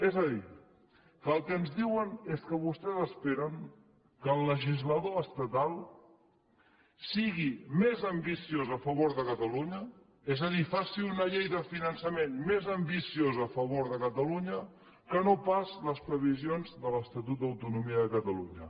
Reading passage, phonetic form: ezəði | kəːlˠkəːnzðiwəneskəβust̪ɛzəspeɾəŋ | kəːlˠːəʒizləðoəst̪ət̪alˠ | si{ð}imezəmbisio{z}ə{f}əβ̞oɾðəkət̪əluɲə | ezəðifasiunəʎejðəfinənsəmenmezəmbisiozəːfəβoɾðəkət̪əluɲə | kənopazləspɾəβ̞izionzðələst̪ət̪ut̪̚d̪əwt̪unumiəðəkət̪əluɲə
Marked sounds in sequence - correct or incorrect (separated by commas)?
incorrect, correct, correct